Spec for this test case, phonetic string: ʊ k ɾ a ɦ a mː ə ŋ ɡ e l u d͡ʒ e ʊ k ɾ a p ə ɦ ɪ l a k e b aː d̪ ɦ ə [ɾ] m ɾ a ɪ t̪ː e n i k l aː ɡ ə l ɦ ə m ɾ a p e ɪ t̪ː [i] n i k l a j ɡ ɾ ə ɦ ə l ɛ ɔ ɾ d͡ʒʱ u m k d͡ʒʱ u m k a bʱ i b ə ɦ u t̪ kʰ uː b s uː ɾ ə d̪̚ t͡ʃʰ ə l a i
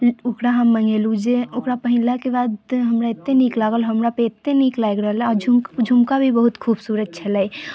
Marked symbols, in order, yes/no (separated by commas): no, no